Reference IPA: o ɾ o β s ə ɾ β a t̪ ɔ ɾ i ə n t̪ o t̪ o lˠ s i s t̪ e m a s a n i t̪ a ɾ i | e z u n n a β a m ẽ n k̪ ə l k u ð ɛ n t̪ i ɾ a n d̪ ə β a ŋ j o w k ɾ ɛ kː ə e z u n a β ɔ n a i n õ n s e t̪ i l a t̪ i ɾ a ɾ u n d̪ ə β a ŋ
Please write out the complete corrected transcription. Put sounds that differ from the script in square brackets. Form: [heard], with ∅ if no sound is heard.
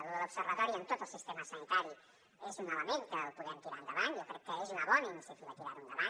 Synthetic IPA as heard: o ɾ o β s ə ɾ β a t̪ ɔ ɾ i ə n t̪ o t̪ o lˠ s i s t̪ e m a s a n i t̪ a ɾ i | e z u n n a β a m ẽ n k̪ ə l [p] u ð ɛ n t̪ i ɾ a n d̪ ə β a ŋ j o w k ɾ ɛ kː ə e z u n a β ɔ n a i n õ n s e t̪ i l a t̪ i ɾ a ɾ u n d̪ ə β a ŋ